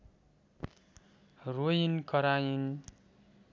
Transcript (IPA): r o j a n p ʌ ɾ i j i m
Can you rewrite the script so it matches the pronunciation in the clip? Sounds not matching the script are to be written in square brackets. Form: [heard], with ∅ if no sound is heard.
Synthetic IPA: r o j [i] n [k] ʌ ɾ [a] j i [n]